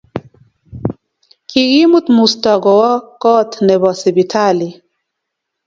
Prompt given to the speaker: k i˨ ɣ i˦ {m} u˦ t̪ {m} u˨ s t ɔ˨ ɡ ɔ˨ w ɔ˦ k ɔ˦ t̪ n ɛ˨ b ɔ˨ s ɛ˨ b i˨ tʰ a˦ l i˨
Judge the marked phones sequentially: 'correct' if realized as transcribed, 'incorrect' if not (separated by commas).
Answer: correct, correct